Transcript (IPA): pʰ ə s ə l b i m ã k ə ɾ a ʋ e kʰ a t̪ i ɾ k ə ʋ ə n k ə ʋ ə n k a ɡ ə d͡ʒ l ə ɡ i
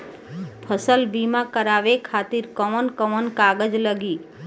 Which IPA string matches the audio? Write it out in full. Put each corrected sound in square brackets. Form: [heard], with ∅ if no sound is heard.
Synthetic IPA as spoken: pʰ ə s ə l b i m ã k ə ɾ a ʋ e kʰ a t̪ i ɾ k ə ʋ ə n k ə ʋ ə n k a ɡ ə d͡ʒ l ə ɡ i